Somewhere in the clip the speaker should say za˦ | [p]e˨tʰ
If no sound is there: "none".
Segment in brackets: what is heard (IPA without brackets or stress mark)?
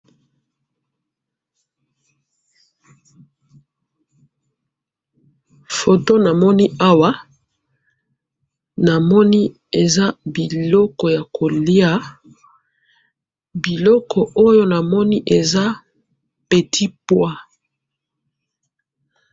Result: p